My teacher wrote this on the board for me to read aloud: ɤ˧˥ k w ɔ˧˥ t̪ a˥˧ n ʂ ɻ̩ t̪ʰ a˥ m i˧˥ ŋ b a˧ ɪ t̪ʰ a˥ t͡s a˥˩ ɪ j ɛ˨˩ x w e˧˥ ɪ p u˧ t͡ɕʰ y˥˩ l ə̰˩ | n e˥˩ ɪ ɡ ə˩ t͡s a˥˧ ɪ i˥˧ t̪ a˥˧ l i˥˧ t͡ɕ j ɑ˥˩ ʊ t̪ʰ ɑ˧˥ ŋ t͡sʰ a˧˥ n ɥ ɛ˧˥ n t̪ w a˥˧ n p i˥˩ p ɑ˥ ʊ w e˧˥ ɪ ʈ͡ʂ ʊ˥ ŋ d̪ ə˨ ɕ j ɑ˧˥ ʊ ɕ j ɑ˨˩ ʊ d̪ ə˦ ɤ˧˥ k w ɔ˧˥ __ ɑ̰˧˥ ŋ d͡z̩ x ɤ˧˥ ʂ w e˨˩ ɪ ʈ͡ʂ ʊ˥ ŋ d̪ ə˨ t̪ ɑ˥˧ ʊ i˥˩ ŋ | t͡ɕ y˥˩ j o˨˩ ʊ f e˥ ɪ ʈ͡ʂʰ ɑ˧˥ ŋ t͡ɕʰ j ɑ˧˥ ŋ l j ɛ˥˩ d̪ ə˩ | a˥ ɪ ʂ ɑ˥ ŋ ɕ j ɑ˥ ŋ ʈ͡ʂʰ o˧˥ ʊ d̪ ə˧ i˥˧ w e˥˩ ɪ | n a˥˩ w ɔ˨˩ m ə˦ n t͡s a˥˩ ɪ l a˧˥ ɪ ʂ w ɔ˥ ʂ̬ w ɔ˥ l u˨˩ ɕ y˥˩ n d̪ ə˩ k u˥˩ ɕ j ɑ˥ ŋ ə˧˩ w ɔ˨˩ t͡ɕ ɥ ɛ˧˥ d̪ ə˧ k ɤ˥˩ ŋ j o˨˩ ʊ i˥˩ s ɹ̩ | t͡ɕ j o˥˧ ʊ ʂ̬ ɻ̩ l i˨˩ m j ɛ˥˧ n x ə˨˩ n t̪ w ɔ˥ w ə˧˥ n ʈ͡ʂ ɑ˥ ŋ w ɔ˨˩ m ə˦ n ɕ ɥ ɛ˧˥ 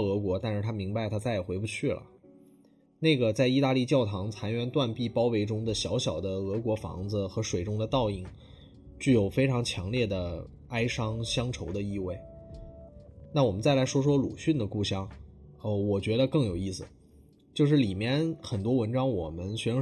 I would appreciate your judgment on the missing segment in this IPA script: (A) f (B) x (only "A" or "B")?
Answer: A